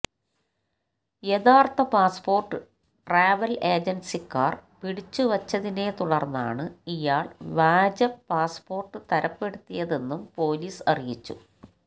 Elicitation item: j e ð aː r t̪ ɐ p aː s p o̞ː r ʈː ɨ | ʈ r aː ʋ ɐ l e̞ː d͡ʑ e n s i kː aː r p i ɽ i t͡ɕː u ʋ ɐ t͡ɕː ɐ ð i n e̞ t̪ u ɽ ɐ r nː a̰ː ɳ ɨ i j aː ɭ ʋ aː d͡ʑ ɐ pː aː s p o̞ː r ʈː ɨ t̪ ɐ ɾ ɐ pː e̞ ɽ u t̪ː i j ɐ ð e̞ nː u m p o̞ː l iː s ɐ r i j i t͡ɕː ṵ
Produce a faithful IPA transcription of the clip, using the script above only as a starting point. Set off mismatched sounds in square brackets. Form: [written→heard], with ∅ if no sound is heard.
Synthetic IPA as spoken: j e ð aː r t̪ ɐ p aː s p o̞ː r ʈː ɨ | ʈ r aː ʋ ɐ l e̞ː d͡ʑ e n s i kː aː r p i ɽ i t͡ɕː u ʋ ɐ t͡ɕː ɐ ð i n e̞ t̪ u ɽ ɐ r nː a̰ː ɳ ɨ i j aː ɭ ʋ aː d͡ʑ ɐ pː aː s p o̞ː r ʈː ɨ t̪ ɐ ɾ ɐ pː e̞ ɽ u t̪ː i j ɐ ð e̞ nː u m p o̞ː l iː s ɐ r i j i t͡ɕː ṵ